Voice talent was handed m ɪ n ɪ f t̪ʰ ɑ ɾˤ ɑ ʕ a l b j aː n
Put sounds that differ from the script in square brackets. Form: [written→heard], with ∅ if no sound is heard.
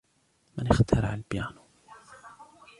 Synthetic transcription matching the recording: m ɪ n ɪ [f→x] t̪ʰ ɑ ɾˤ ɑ ʕ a l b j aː n